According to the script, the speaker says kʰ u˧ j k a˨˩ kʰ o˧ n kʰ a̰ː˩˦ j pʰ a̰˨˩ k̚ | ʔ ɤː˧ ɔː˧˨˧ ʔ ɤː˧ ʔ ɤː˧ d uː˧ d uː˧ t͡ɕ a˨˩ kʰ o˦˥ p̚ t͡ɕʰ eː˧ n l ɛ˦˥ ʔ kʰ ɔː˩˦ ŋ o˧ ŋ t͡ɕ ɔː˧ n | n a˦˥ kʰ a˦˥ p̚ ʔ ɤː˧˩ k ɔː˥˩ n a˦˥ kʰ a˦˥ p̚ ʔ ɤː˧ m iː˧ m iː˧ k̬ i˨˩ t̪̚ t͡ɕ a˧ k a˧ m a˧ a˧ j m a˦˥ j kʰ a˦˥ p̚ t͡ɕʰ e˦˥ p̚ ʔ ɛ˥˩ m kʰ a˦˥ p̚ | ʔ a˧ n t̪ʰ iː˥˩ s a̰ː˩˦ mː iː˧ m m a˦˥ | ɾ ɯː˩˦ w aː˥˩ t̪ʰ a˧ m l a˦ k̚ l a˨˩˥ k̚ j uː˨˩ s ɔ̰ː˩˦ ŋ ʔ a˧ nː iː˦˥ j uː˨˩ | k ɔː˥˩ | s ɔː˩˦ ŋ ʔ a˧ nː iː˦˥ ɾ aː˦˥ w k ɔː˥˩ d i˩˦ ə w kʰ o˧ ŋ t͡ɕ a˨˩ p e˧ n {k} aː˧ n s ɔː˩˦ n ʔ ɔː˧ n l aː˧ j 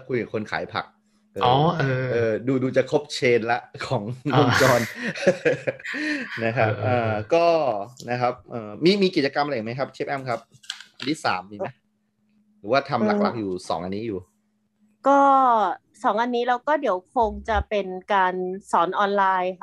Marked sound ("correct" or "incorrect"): correct